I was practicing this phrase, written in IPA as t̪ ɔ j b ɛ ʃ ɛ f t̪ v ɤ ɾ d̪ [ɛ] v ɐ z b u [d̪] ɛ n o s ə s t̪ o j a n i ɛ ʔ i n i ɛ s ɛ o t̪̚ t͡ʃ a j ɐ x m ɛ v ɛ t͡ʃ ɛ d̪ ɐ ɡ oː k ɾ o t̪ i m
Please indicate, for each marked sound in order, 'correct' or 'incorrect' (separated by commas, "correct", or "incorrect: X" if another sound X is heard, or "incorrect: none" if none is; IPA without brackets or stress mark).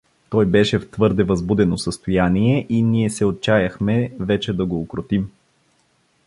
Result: correct, correct